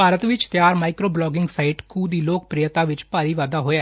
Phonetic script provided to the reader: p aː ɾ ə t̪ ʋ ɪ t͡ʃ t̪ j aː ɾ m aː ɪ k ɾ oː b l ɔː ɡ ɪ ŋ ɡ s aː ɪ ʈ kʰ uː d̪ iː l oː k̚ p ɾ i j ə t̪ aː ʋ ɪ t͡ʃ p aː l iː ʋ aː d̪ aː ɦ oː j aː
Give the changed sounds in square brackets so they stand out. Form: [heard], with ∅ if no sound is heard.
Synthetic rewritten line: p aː ɾ ə t̪ ʋ ɪ t͡ʃ t̪ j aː ɾ m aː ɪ k ɾ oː b l ɔː ɡ ɪ ŋ ɡ s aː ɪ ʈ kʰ uː d̪ iː l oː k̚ p ɾ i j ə t̪ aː ʋ ɪ t͡ʃ p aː [ɾ] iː ʋ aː d̪ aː ɦ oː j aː